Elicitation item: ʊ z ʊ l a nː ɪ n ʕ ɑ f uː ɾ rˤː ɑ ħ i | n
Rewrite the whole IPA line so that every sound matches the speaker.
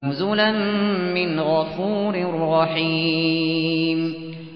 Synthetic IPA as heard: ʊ z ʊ l a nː ɪ n ɣ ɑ f uː ɾ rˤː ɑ ħ i | m